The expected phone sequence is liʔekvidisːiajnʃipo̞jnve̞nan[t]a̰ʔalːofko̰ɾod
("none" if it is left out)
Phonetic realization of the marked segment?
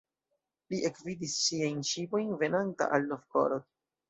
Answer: t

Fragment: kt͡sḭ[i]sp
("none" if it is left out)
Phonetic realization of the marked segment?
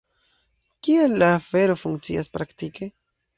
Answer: a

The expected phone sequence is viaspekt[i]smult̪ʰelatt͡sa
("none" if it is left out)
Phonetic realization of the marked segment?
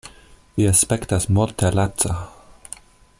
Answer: a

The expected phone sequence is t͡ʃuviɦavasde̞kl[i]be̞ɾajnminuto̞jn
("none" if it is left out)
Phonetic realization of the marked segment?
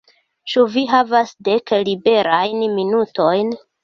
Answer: i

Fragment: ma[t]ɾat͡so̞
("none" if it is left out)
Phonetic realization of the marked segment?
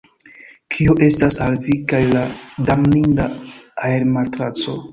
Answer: t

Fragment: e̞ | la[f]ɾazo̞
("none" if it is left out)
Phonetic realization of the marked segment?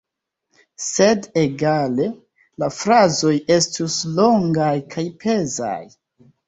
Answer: f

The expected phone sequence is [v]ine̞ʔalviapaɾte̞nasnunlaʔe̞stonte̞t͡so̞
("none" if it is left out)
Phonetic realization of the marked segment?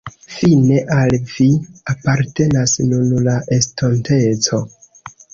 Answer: f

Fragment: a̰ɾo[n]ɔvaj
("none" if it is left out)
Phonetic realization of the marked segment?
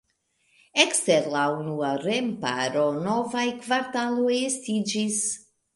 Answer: n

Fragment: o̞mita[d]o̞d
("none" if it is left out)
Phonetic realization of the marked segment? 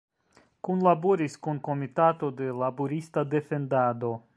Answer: t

